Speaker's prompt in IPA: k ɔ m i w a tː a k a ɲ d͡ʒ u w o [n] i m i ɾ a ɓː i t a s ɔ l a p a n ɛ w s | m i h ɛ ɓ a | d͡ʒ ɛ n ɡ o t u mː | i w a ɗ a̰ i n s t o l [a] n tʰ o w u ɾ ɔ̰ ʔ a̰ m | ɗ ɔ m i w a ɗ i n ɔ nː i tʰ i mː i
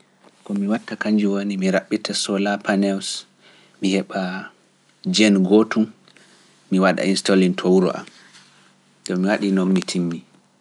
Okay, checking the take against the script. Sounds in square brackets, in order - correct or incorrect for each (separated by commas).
correct, incorrect